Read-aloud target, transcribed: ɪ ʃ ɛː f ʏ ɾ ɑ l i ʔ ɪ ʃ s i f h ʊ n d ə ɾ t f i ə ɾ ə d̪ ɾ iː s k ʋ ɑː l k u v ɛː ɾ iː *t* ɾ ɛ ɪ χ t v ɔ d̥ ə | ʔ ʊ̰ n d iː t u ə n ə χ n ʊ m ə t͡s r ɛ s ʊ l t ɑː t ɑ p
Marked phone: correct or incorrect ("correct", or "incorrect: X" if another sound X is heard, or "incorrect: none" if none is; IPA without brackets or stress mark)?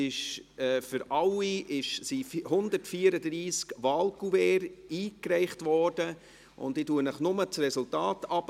incorrect: k